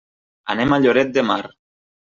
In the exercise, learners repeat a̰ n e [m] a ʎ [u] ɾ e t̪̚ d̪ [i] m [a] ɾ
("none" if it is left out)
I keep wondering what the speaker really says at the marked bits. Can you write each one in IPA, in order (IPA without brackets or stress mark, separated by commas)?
m, o, e, a